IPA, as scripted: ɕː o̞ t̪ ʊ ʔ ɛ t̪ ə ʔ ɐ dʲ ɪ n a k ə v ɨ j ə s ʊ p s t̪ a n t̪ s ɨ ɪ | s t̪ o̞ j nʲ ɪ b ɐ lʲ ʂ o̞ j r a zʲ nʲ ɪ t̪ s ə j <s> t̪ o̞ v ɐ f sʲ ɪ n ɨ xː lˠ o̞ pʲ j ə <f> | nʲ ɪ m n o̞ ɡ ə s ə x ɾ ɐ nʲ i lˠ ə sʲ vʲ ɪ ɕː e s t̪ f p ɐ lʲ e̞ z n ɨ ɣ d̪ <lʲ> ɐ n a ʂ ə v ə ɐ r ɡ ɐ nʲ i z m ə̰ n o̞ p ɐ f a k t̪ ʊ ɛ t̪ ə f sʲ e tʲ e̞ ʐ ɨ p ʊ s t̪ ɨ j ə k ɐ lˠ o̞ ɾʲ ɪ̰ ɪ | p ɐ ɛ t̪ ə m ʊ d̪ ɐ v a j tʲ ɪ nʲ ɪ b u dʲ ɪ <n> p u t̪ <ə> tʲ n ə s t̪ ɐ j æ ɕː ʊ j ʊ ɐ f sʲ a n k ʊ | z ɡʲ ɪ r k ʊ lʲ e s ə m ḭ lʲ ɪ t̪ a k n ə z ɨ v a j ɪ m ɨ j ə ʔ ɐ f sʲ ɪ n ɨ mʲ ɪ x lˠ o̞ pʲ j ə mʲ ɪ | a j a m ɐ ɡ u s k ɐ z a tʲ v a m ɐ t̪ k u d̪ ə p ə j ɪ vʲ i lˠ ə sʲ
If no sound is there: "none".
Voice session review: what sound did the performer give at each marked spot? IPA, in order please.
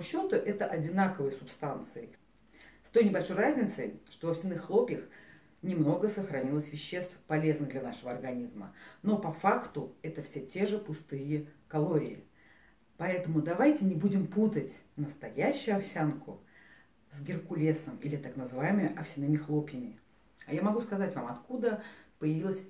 ʂ, x, lʲ, m, ə

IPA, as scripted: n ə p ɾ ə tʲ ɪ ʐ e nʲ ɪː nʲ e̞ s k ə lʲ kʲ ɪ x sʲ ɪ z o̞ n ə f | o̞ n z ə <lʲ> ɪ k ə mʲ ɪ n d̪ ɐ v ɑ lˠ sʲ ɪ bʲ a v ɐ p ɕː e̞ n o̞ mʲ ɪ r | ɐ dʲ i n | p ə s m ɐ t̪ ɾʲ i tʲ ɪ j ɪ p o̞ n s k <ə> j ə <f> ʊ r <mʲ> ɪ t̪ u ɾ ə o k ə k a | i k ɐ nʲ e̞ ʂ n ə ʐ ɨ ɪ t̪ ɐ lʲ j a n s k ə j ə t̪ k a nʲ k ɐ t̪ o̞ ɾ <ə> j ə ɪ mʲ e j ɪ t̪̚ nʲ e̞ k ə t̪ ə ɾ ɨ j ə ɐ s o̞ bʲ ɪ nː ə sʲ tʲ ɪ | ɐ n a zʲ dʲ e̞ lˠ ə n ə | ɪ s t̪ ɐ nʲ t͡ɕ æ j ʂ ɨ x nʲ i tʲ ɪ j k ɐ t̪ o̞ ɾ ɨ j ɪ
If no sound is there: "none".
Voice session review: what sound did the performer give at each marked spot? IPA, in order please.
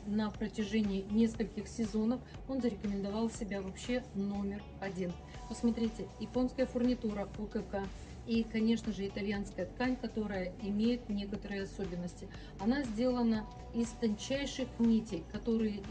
ɾʲ, ə, f, nʲ, ə

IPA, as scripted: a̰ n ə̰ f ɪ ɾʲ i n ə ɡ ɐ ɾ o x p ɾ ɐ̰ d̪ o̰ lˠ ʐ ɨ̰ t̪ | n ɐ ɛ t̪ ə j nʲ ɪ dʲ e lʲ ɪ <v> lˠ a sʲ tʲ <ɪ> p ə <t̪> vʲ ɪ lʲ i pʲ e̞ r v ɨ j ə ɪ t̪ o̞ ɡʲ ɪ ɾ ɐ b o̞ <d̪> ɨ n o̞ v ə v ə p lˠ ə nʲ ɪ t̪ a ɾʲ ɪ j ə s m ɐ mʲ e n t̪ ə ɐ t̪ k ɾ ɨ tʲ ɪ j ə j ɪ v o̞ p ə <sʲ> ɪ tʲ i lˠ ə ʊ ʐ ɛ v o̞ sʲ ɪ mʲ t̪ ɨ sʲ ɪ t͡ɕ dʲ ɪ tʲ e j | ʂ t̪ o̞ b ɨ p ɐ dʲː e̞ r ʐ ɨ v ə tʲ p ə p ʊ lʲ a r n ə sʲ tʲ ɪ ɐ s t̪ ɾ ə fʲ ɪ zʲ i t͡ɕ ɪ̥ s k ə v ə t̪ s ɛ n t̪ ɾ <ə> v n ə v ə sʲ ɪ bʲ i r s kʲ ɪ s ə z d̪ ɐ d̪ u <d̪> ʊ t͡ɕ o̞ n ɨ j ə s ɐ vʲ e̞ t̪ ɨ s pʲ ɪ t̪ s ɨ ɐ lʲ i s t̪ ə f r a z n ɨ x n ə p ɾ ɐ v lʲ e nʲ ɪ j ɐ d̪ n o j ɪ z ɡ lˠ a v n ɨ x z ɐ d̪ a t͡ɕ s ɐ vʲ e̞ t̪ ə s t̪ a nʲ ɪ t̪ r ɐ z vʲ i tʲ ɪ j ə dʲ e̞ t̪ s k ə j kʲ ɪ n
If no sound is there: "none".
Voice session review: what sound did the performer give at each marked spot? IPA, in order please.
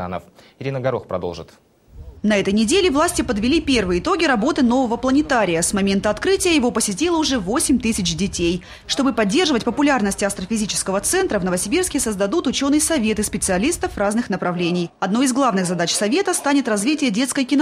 v, ɪ, d̪, t̪, sʲ, ə, t̪

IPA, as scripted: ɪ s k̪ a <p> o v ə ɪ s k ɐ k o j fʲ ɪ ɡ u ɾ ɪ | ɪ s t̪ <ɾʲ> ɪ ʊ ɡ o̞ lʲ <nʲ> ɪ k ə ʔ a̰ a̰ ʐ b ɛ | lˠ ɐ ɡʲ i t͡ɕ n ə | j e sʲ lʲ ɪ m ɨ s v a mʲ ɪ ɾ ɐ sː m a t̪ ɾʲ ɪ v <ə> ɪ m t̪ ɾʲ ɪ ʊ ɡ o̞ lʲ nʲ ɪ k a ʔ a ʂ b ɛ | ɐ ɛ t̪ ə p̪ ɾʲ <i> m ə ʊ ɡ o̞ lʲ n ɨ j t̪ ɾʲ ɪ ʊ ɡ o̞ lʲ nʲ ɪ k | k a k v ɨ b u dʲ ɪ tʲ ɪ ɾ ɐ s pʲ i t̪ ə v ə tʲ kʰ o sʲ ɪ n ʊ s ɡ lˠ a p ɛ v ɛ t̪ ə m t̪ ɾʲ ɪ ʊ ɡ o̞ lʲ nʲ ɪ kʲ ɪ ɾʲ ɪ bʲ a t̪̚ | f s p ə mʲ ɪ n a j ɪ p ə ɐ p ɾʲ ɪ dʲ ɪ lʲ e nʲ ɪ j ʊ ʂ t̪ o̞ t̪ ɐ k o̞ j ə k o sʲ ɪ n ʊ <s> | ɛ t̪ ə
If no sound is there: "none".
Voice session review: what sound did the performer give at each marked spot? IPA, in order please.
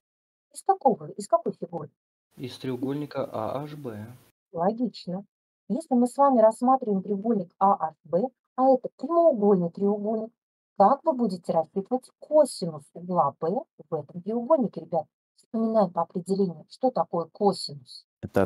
k, ɾʲ, nʲ, ə, ɪ, s

